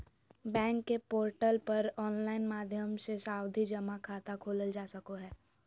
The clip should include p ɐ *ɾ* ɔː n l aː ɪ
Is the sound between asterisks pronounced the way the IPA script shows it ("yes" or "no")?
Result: yes